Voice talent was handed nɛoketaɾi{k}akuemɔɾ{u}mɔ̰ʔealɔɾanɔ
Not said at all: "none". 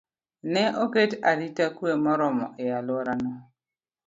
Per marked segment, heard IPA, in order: t, ɔ

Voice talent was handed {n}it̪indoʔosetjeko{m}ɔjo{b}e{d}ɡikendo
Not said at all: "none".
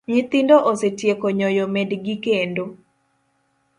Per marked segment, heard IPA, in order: ɲ, ɲ, m, d

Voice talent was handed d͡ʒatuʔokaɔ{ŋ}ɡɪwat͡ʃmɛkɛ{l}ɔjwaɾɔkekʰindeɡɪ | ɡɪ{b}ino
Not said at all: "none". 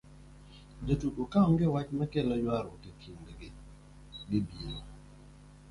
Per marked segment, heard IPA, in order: ŋ, l, b

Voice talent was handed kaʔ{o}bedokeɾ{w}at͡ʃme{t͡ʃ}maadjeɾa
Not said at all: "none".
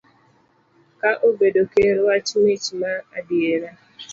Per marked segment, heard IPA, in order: o, w, t͡ʃ

